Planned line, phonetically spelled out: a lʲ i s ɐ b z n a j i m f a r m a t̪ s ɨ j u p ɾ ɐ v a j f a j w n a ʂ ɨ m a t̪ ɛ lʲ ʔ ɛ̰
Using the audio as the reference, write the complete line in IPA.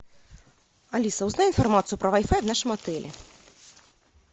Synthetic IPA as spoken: a lʲ i s ɐ w z n a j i n f a r m a t̪ s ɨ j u p ɾ ɐ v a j f a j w n a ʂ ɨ m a t̪ ɛ lʲ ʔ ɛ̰